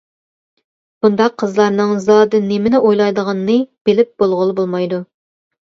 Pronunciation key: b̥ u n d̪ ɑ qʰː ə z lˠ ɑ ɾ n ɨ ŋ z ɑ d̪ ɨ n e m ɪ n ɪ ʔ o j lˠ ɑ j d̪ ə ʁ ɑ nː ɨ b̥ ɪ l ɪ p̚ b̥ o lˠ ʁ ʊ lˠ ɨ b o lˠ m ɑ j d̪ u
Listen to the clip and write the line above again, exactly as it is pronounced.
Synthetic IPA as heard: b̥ u n d̪ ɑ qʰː ə z lˠ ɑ ɾ n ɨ ŋ z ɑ d̪ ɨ n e m ɪ n ɪ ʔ o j lˠ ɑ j d̪ ə ʁ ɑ nː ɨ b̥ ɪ l ɪ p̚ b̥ o lˠ ʁ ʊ lˠ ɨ b o lˠ m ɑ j d̪ u